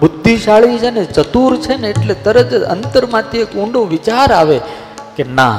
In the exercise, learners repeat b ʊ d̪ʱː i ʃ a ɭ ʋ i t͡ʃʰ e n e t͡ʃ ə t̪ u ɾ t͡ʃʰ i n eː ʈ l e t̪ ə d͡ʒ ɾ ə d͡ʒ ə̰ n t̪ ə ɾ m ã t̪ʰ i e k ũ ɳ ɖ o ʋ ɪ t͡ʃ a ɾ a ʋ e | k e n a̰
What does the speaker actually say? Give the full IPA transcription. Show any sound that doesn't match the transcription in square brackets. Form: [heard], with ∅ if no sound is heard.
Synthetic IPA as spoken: b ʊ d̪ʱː i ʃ a ɭ ʋ i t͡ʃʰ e n e t͡ʃ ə t̪ u ɾ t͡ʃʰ [e] n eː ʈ l e t̪ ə [∅] ɾ ə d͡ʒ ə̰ n t̪ ə ɾ m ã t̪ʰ i e k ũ ɳ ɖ o ʋ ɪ t͡ʃ a ɾ a ʋ e | k e n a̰